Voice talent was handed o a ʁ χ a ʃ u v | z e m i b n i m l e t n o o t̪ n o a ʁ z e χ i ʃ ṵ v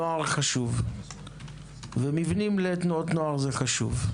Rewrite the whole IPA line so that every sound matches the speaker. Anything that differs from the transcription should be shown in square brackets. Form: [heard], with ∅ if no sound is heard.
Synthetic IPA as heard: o a ʁ χ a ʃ u v | [v] e m i [v] n i m l e t n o o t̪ n o a ʁ z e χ [a] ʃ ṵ v